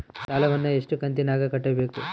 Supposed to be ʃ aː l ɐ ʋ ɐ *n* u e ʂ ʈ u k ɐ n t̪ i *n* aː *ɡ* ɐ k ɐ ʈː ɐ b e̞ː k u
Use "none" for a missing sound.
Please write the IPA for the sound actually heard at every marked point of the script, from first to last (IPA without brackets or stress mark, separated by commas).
nː, n, ɡ